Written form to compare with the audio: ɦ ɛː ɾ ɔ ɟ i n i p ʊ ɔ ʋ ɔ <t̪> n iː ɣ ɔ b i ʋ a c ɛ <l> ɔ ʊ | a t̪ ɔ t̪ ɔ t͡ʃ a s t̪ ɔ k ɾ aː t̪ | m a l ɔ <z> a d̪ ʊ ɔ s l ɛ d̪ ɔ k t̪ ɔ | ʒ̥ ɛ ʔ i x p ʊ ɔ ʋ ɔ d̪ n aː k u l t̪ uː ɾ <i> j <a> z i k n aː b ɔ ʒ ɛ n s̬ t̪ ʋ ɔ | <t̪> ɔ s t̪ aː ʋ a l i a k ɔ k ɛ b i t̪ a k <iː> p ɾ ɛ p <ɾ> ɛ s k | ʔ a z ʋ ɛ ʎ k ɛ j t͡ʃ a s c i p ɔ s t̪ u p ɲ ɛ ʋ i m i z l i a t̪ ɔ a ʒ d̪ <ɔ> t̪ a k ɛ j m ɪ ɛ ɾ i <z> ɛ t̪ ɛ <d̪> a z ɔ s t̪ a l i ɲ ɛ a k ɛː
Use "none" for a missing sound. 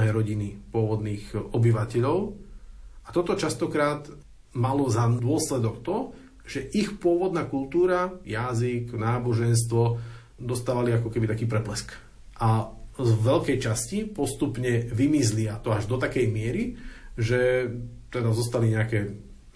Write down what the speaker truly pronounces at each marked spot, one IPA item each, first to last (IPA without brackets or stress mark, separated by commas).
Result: d̪, ʎ, z, a, a, d̪, iː, l, ɔ, ʒ, d̪